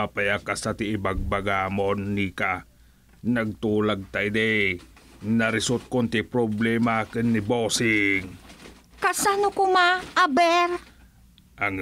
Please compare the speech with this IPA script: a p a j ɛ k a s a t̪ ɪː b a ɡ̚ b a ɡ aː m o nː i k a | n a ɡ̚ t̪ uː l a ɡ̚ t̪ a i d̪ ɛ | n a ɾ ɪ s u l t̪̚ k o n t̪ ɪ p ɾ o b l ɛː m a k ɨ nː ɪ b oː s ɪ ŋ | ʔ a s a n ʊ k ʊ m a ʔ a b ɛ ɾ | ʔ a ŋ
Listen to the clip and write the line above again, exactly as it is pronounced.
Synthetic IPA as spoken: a p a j a k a s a t̪ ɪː b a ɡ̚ b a ɡ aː m o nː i k a | n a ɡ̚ t̪ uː l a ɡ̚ t̪ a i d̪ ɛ | n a ɾ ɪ s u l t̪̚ k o n t̪ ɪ p ɾ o b l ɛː m a k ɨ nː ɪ b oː s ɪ ŋ | k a s a n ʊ k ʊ m a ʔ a b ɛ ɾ | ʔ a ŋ